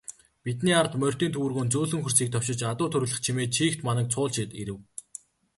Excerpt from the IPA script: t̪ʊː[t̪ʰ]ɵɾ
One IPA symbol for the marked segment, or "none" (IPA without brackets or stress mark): t̪ʰ